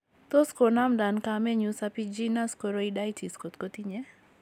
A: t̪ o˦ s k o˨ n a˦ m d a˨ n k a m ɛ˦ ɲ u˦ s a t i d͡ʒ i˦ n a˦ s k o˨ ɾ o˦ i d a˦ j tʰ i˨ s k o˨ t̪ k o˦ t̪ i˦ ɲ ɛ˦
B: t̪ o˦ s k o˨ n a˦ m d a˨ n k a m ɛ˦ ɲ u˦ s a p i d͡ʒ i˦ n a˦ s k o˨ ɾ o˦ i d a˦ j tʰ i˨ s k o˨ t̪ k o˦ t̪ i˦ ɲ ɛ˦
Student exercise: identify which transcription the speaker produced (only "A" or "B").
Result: B